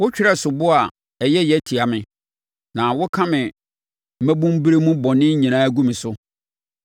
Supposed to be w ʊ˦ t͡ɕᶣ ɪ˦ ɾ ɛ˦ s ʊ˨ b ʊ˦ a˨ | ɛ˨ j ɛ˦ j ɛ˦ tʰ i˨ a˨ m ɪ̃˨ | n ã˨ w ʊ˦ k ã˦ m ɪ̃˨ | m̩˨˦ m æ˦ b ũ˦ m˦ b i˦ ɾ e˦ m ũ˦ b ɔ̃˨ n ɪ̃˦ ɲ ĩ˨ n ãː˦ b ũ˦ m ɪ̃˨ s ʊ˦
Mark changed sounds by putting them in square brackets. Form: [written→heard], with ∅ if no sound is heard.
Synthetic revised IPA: w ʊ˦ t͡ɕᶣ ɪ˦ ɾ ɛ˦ s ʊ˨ b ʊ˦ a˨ | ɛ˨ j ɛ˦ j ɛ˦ tʰ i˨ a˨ m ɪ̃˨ | n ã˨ w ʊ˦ [k→kʰ] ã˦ m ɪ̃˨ | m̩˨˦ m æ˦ b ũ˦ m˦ b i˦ ɾ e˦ m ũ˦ b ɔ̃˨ n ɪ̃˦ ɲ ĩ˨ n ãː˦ [b→ɡ] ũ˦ m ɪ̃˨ s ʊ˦